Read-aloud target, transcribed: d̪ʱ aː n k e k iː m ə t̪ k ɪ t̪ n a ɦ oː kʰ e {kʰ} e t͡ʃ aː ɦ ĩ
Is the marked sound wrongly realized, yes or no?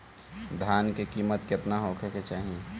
yes